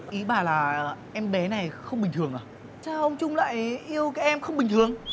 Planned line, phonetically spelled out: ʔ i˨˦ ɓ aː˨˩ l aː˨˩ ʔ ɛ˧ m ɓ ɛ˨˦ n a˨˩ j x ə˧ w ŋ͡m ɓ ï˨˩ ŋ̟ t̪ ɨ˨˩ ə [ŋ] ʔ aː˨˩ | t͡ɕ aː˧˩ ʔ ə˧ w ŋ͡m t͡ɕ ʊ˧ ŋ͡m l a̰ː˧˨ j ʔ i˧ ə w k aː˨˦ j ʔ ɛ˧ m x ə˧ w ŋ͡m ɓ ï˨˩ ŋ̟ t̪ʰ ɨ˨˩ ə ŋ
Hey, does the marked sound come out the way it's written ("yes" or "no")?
yes